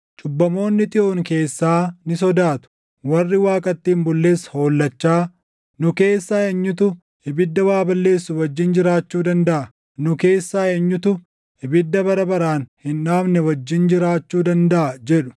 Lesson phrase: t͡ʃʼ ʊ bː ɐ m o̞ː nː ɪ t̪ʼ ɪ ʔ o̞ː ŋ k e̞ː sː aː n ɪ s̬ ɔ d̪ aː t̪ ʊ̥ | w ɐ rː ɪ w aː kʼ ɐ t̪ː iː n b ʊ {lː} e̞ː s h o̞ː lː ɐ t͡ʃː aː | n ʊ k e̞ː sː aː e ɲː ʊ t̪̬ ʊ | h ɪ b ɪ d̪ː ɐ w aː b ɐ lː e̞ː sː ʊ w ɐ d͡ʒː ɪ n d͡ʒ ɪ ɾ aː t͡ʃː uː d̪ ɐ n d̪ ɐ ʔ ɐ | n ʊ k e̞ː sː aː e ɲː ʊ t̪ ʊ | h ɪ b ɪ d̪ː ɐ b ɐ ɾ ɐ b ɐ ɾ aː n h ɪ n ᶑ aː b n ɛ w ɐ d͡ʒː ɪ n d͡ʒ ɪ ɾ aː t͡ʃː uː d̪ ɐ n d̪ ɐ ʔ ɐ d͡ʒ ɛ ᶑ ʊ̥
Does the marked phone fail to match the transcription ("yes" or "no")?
no